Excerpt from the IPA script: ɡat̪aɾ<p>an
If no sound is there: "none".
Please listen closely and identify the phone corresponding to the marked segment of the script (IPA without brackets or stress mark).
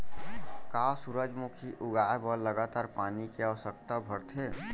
p